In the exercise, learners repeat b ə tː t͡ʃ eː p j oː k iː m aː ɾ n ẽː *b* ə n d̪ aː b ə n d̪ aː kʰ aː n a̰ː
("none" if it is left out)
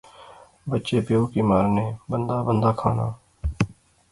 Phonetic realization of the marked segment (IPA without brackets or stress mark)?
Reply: b